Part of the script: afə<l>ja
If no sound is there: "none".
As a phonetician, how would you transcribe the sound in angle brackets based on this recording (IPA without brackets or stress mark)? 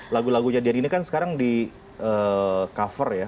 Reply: r